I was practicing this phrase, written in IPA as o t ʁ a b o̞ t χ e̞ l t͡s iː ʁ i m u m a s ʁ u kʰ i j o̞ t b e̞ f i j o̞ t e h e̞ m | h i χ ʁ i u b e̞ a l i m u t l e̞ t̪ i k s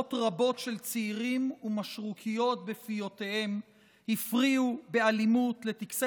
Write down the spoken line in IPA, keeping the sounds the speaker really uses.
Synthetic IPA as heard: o t ʁ a b o̞ t ʃ e̞ l t͡s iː ʁ i m u m a ʃ ʁ u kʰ i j o̞ t b e̞ f i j o̞ t e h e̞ m | h i f ʁ i u b e̞ a l i m u t l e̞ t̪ i k s